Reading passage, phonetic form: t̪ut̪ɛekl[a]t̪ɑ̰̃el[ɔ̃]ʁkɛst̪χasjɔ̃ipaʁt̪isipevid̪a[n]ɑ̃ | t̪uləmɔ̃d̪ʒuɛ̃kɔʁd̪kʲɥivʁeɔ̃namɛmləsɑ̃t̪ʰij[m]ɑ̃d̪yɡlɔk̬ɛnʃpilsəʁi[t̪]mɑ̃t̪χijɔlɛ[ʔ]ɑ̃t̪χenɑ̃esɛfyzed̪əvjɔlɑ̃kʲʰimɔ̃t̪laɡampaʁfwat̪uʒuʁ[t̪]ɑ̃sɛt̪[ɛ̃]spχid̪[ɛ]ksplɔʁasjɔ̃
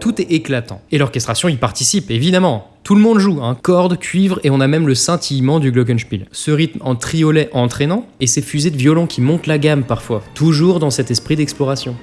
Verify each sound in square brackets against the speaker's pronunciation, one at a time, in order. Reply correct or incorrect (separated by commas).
correct, incorrect, incorrect, correct, correct, correct, incorrect, incorrect, correct